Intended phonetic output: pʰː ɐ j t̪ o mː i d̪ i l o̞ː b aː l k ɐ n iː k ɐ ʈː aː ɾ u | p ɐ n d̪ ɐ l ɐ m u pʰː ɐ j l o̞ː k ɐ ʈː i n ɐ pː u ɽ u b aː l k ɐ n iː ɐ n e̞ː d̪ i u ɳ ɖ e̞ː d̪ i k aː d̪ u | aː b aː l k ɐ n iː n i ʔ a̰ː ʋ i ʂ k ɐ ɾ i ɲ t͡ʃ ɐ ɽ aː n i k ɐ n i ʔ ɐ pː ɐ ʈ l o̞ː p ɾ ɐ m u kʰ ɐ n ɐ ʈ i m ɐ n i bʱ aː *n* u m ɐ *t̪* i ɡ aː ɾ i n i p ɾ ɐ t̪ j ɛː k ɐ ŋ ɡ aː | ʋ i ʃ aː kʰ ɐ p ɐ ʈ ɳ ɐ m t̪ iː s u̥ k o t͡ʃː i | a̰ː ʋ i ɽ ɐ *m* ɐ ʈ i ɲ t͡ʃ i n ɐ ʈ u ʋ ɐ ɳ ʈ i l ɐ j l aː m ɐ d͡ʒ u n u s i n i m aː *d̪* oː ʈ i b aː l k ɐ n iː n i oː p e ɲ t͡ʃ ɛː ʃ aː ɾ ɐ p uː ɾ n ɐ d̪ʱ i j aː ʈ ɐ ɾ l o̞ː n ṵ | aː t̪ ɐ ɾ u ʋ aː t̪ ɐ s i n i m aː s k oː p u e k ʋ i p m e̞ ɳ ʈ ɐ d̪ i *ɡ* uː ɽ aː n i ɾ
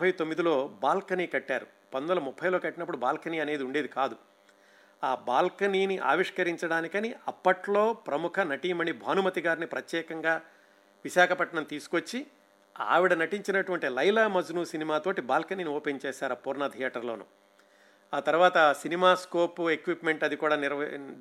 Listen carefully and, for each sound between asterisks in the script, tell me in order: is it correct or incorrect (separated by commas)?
correct, correct, incorrect, incorrect, incorrect